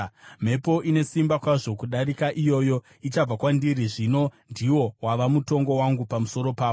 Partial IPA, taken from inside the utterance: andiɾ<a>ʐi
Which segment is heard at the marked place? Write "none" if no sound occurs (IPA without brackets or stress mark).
i